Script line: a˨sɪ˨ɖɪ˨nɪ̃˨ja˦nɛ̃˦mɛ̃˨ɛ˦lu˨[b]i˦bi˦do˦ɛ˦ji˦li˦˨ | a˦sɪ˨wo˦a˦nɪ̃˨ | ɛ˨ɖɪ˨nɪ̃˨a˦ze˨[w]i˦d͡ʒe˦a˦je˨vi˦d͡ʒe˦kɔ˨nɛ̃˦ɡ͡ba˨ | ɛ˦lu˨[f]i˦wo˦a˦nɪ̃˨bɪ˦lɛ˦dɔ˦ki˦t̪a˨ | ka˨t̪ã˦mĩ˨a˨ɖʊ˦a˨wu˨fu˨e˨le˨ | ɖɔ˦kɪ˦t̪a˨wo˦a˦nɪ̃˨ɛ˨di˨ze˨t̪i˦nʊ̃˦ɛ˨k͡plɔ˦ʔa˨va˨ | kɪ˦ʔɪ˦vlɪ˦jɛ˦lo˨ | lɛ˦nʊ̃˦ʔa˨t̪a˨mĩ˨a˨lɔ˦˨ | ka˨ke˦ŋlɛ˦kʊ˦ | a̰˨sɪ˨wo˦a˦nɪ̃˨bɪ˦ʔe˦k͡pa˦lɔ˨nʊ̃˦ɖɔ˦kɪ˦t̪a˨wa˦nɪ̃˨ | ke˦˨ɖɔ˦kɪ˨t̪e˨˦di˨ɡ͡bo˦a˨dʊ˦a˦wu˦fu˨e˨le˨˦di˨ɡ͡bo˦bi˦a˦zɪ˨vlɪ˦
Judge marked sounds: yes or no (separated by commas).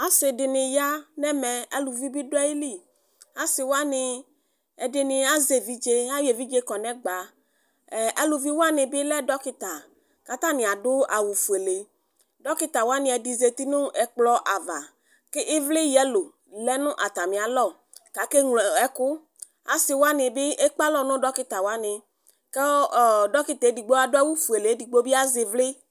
no, no, no